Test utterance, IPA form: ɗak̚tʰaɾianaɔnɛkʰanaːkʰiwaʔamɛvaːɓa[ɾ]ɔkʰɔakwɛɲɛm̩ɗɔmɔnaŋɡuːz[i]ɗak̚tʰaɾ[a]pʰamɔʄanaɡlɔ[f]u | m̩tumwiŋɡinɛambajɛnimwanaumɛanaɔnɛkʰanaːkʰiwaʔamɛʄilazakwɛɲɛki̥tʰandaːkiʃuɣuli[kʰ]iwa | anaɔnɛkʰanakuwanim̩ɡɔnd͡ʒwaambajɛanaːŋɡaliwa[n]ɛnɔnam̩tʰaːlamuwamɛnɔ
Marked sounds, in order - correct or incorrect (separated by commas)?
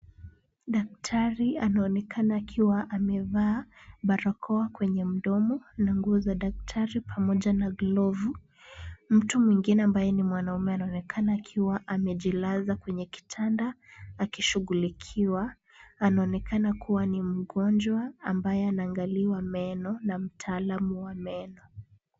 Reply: correct, incorrect, incorrect, incorrect, correct, incorrect